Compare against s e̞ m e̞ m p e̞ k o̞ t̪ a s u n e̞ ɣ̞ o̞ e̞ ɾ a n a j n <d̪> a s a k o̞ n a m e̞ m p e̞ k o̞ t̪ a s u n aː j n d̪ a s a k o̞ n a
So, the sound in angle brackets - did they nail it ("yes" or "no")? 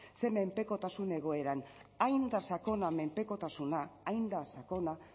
yes